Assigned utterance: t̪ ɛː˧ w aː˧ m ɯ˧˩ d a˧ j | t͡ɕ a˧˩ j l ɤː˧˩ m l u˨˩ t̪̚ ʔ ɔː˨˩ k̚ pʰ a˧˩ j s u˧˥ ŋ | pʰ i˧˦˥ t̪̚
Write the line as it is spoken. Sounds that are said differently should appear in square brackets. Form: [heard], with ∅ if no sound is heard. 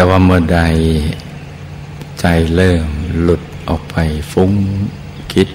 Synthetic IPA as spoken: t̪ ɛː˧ w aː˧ m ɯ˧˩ d a˧ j | t͡ɕ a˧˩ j l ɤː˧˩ m l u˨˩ t̪̚ ʔ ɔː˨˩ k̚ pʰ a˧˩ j [f] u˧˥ ŋ | [kʰ] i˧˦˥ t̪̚